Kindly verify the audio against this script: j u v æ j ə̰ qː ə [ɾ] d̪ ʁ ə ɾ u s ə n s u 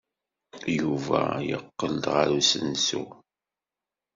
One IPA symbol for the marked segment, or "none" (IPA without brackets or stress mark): l